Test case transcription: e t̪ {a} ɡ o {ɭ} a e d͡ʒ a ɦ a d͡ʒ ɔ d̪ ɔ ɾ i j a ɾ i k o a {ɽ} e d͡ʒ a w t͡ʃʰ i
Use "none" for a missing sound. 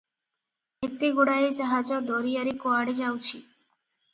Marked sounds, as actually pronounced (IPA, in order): e, ɽ, ɽ

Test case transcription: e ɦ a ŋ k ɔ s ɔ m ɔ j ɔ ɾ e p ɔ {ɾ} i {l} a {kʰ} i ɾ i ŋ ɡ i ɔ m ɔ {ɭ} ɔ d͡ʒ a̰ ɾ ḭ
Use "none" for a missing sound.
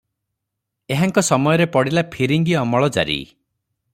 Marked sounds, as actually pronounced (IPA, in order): ɽ, l, pʰ, ɭ

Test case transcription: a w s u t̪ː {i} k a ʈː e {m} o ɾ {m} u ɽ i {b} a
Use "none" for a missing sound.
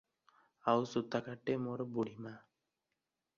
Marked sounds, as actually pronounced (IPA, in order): a, m, b, m

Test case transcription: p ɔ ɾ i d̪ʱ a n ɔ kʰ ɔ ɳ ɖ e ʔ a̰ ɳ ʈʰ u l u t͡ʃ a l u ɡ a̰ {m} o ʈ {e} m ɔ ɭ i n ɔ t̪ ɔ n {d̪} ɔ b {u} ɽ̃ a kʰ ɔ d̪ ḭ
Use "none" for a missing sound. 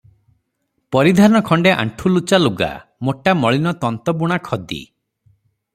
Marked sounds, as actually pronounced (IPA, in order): m, a, t̪, u

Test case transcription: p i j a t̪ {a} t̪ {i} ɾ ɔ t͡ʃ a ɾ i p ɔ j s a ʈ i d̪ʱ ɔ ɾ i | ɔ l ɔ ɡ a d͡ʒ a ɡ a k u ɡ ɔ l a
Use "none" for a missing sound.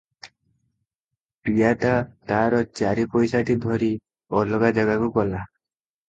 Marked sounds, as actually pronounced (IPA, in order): a, a

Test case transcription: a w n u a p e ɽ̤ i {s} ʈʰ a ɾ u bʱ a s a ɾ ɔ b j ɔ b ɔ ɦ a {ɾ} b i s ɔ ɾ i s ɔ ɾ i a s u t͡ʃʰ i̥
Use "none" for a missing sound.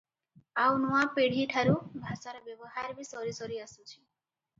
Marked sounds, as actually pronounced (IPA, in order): none, ɾ

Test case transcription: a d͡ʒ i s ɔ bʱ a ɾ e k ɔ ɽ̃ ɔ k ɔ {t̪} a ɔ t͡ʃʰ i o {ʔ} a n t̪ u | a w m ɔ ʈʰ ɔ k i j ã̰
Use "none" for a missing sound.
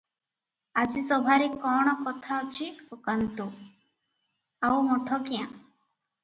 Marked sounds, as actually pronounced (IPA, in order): t̪ʰ, k

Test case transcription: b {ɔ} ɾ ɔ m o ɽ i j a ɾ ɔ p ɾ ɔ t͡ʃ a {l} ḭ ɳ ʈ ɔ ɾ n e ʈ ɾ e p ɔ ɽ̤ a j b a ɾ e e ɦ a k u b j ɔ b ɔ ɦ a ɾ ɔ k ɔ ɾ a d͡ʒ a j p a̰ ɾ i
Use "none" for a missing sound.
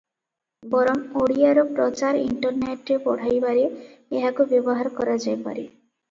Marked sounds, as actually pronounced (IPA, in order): ɔ, ɾ

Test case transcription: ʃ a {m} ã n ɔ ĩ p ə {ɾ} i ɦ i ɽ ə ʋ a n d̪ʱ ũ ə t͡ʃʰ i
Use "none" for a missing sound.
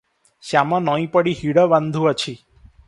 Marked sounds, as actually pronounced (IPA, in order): m, ɽ

